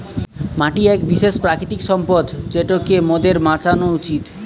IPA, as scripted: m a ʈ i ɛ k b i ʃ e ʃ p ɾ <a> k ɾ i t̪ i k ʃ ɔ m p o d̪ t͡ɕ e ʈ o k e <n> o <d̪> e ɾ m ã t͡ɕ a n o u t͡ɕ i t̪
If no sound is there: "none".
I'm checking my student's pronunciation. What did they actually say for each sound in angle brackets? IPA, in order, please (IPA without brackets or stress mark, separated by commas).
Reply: a, m, d̪